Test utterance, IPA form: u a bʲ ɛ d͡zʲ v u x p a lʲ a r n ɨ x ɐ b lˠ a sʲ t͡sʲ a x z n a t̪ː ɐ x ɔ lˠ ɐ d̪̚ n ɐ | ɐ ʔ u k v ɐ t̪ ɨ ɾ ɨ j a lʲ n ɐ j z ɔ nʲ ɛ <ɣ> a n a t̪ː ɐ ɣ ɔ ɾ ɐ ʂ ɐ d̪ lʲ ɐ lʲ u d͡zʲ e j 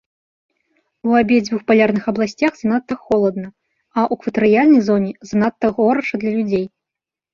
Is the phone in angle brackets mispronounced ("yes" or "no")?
yes